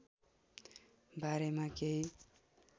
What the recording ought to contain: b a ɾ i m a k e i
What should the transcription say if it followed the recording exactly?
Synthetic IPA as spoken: b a ɾ e m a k e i

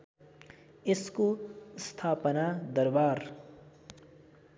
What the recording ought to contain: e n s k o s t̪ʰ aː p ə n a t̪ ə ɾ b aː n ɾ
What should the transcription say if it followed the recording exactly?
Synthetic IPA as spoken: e s k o s t̪ʰ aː p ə n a d̪ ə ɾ b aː ɾ

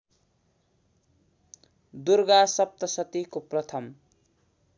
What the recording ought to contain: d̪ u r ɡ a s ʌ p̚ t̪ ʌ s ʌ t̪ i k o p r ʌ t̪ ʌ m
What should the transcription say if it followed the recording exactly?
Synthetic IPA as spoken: d̪ u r ɡ a s ʌ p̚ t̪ ʌ s ʌ t̪ i k o p r ʌ t̪ʰ ʌ m

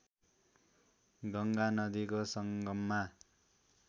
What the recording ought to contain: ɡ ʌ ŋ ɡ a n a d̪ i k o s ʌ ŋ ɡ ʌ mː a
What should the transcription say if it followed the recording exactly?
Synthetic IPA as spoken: ɡ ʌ ŋ ɡ a n ʌ d̪ i k o s ʌ ŋ ɡ ʌ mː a

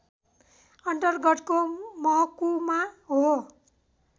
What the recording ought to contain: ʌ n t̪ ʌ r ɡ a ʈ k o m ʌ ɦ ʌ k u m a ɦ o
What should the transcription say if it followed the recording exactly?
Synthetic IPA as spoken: ʌ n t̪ ʌ r ɡ ʌ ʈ k o m ʌ ɦ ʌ k u m a ɦ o

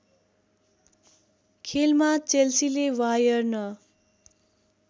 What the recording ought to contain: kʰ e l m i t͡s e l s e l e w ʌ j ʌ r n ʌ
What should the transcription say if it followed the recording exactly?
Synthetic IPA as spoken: kʰ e l m a t͡s e l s i l e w a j ʌ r n ʌ

